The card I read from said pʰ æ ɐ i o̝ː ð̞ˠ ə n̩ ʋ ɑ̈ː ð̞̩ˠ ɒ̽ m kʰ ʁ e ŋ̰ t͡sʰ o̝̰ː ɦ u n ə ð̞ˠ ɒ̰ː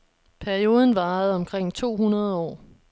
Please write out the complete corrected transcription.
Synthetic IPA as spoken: pʰ æ ɐ i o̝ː ð̞ˠ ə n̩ ʋ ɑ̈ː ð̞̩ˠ ɒ̽ m kʰ ʁ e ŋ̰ t͡sʰ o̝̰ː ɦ u n ɐ ð̞ˠ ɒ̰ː